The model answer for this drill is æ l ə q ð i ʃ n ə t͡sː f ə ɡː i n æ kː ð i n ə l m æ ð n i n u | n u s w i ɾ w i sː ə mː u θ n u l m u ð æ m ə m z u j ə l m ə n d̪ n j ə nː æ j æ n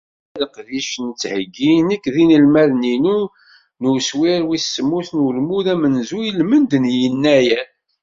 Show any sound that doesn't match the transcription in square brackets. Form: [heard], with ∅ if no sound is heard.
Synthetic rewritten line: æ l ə q ð i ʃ n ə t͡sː [h] ə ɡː i n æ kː ð i n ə l m æ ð n i n u | n u s w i ɾ w i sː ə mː u θ n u l m u ð æ m ə [n] z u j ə l m ə n d̪ n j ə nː æ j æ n